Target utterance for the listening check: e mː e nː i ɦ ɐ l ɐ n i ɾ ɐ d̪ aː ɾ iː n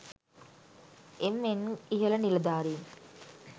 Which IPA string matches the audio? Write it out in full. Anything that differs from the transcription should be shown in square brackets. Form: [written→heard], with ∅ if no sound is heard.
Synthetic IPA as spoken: e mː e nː i ɦ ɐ l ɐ n i [ɾ→l] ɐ d̪ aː ɾ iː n

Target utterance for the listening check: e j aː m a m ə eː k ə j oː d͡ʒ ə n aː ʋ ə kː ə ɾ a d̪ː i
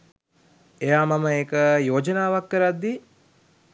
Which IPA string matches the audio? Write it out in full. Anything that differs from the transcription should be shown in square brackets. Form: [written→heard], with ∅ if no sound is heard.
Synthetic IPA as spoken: e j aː m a m ə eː k ə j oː d͡ʒ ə n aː ʋ [ə→a] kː ə ɾ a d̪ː i

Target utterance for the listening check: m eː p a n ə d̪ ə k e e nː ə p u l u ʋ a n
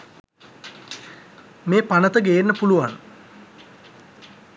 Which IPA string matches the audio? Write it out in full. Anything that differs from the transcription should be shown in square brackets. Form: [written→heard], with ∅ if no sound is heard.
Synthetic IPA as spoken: m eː p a n ə [d̪→t̪] ə [k→ɡ] e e nː ə p u l u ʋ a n

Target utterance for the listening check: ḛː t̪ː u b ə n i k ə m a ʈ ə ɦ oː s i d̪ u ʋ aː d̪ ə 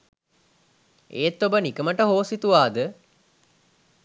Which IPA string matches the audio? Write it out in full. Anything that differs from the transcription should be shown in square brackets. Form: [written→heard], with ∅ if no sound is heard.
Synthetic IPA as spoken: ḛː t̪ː [u→o] b ə n i k ə m [a→ə] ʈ ə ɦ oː s i [d̪→t̪] u ʋ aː d̪ ə

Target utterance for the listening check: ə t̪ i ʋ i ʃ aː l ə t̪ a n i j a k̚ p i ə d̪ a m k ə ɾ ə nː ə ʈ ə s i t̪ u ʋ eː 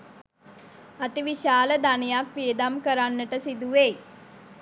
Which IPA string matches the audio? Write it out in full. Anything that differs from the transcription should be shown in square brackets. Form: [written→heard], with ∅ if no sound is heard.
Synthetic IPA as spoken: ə t̪ i ʋ i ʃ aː l ə [t̪→d̪] a n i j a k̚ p i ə d̪ a m k ə ɾ [ə→a] nː ə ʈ ə s i [t̪→d̪] u ʋ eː

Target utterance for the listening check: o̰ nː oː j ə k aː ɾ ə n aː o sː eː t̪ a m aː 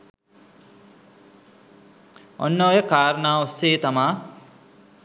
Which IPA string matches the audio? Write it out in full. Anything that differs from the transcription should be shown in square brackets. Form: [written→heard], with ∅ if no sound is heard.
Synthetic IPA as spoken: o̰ nː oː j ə k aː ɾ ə n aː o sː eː t̪ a m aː

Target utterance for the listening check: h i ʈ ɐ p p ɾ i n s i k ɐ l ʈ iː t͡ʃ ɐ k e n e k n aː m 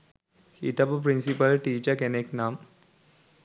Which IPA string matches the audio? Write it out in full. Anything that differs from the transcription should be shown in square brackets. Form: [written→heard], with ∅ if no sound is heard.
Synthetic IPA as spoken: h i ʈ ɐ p p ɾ i n s i [k→p] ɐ l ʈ iː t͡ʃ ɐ k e n e k n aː m

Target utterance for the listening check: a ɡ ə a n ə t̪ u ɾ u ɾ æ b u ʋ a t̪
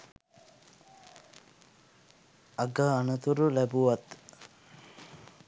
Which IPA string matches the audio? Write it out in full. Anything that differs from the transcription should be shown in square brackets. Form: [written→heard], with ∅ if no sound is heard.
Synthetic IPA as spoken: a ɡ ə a n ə t̪ u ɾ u [ɾ→l] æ b u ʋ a t̪

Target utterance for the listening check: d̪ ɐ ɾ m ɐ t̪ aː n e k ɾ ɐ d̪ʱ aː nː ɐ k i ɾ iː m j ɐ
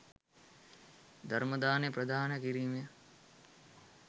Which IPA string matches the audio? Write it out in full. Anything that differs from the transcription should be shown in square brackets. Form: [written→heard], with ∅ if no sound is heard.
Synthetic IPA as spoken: d̪ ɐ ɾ m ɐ [t̪→d̪] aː n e [k→p] ɾ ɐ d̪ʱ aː [nː→n] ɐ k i ɾ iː m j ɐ

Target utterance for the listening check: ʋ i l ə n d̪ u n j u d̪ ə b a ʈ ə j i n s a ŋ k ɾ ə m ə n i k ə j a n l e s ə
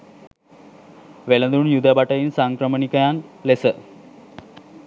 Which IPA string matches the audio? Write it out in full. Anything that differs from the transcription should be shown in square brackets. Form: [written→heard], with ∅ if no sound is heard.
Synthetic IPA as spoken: ʋ [i→e] l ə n d̪ u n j u d̪ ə b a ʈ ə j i n s a ŋ k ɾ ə m ə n i k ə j a n l e s ə

